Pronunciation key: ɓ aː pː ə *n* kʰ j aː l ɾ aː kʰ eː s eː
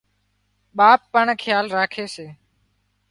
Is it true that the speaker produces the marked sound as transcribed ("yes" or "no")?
no